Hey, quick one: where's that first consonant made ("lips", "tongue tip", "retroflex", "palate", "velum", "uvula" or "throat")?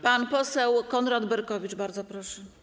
lips